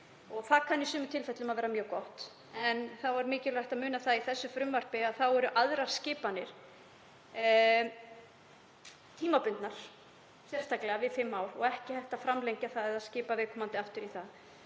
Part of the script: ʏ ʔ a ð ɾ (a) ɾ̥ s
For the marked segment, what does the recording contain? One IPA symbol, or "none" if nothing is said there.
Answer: a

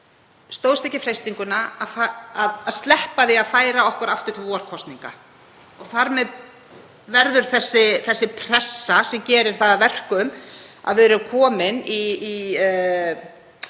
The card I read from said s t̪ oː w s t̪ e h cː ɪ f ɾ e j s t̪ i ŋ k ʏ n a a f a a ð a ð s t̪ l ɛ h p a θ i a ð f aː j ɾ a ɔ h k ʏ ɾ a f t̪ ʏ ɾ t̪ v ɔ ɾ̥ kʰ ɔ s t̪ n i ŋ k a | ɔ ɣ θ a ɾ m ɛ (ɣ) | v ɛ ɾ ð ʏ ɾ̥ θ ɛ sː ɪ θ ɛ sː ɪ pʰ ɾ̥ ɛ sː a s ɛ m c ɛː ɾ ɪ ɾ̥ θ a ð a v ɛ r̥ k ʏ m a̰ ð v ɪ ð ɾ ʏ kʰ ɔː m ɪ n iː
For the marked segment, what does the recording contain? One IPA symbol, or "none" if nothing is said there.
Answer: ð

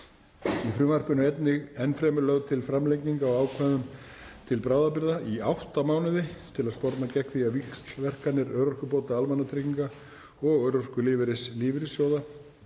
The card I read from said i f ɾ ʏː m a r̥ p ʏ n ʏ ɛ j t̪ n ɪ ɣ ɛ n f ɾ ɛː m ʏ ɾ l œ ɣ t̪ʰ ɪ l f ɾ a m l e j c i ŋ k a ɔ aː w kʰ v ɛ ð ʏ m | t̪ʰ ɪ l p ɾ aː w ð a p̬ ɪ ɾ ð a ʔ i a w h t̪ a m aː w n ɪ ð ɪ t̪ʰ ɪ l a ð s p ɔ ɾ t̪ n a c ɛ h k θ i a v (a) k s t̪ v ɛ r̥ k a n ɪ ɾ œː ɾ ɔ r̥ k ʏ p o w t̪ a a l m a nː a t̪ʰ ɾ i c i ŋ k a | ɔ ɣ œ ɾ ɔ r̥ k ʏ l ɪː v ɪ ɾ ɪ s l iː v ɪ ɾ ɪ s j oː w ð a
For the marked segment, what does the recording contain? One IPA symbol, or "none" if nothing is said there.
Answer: i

